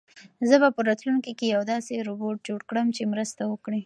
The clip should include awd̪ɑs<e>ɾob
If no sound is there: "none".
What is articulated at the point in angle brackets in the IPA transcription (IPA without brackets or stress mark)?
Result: e